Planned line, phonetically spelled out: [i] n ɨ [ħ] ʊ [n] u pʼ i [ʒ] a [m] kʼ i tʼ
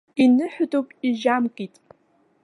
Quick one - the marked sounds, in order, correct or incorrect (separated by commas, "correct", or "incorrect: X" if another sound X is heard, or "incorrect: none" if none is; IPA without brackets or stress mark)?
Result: correct, correct, incorrect: d, correct, correct